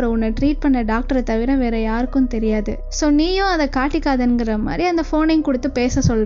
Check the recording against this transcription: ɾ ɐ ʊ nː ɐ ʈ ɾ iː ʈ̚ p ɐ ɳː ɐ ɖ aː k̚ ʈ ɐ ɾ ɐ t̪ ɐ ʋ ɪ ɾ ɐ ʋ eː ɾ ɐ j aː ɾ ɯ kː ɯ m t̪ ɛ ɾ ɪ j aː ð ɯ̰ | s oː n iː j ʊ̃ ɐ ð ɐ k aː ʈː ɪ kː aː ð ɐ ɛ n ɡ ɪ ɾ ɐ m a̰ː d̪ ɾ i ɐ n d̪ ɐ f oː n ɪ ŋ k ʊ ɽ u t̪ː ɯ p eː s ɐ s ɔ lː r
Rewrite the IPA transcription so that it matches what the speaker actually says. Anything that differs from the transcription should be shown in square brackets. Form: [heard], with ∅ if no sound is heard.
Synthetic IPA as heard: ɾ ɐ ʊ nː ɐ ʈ ɾ iː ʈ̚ p ɐ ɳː ɐ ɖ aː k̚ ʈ ɐ ɾ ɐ t̪ ɐ ʋ ɪ ɾ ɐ ʋ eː ɾ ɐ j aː ɾ ɯ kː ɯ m t̪ ɛ ɾ ɪ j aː ð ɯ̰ | s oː n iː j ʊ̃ ɐ ð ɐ k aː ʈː ɪ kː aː ð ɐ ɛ n ɡ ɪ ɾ ɐ m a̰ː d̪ ɾ i ɐ n d̪ ɐ f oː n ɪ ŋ k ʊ ɽ [ɯ] t̪ː ɯ p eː s ɐ s ɔ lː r

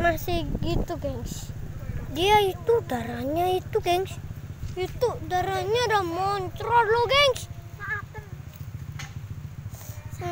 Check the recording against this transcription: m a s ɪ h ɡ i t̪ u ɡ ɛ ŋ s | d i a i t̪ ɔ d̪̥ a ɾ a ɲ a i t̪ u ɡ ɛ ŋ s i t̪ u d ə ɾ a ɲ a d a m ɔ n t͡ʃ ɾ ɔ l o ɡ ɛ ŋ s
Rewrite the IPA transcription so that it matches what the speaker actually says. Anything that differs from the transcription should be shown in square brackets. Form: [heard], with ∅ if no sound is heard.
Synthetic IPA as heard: m a s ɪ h ɡ i t̪ u ɡ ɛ ŋ s | d i a i t̪ [u] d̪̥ a ɾ a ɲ a i t̪ u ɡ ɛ ŋ s i t̪ u d [a] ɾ a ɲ a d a m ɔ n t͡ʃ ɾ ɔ l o ɡ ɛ ŋ s

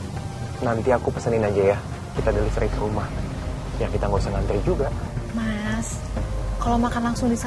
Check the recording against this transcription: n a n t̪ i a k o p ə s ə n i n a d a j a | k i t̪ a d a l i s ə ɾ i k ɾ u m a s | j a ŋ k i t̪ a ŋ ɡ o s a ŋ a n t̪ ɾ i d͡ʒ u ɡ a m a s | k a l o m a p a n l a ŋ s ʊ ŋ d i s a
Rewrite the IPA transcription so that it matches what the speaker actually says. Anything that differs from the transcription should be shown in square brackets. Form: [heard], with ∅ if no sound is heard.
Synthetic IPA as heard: n a n t̪ i a k [u] p ə s ə n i n a [d͡ʒ] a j a | k i t̪ a d a l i s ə ɾ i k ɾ u m a [h] | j a ŋ k i t̪ a ŋ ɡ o s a ŋ a n t̪ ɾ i d͡ʒ u ɡ a m a s | k a l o m a [k] a n l a ŋ s ʊ ŋ d i s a

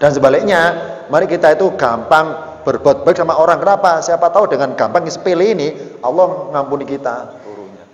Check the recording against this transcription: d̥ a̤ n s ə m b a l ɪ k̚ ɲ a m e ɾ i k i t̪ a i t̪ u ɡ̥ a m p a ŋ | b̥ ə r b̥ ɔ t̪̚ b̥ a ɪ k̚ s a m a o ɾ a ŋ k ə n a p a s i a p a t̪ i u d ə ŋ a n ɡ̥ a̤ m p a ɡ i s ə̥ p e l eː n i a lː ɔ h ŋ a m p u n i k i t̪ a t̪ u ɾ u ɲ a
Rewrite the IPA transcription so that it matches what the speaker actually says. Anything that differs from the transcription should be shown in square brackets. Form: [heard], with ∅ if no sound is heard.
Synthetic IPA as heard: d̥ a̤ n s ə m b a l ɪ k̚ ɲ a m [a] ɾ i k i t̪ a i t̪ u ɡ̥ a m p a ŋ | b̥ ə r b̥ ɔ t̪̚ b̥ a ɪ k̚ s a m a o ɾ a ŋ k ə n a p a s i a p a t̪ [a] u d ə ŋ a n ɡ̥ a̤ m p a [ŋ] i s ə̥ p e l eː n i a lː ɔ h ŋ a m p u n i k i t̪ a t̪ u ɾ u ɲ a

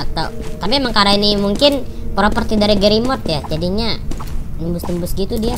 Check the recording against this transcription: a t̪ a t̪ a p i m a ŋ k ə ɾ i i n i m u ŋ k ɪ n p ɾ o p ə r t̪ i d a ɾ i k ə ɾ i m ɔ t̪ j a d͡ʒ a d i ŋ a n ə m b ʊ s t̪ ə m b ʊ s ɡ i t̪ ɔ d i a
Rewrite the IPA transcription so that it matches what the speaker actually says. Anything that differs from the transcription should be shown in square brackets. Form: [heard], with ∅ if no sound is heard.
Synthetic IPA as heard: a t̪ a t̪ a p i m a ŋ k [a] ɾ [a] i n i m u ŋ k ɪ n p ɾ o p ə r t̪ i d a ɾ i [ɡ] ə ɾ i m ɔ t̪ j a d͡ʒ a d i [ɲ] a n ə m b ʊ s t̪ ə m b ʊ s ɡ i t̪ [u] d i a

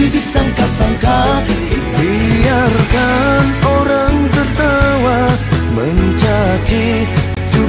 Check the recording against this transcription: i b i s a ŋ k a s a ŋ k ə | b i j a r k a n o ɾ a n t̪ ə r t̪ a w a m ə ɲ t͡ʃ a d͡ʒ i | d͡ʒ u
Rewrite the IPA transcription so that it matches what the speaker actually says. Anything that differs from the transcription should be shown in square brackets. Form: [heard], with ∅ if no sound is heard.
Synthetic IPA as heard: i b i s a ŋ k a s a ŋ k [a] | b i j a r k a n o ɾ a [ŋ] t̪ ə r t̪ a w a m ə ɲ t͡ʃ a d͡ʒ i | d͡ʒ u

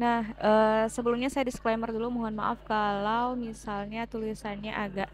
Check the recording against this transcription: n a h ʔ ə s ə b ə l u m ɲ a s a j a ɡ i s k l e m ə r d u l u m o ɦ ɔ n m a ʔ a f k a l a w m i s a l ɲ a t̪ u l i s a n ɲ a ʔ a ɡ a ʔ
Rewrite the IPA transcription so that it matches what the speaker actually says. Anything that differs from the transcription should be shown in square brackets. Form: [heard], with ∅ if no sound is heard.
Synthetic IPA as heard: n a h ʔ ə s ə b ə l u m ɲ a s a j a [d] i s k l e m ə r d u l u m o ɦ ɔ n m a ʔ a f k a l a w m i s a l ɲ a t̪ u l i s a n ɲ a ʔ a ɡ a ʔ

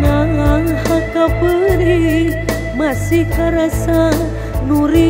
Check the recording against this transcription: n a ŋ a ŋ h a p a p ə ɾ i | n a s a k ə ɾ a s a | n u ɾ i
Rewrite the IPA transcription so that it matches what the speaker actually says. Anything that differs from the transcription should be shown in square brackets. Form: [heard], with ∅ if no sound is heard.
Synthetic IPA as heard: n a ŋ a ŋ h a [k] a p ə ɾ i | [m] a s [i] k [a] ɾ a s a | n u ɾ i

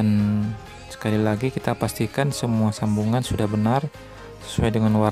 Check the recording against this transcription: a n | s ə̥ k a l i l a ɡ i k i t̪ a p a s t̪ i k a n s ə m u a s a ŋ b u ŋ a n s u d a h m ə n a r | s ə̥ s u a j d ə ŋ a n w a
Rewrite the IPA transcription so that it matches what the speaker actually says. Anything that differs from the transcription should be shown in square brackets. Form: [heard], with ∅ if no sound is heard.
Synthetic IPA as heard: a n | s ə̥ k a l i l a ɡ i k i t̪ a p a s t̪ i k a n s ə m u a s a [m] b u ŋ a n s u d a h [b] ə n a r | s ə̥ s u a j d ə ŋ a n w a

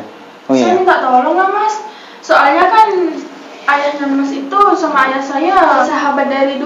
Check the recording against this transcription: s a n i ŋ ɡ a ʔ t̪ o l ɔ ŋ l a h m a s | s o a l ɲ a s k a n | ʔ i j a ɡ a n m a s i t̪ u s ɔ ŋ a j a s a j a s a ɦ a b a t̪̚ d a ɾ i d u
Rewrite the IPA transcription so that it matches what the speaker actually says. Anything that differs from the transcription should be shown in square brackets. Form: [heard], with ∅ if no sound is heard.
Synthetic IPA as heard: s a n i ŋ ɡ a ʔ t̪ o l ɔ ŋ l a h m a s | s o a l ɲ a [∅] k a n | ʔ [a] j a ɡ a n m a s i t̪ u s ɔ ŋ a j a s a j a s a ɦ a b a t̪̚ d a ɾ i d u

